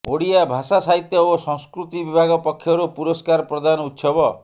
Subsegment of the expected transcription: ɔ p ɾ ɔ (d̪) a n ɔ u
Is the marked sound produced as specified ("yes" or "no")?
yes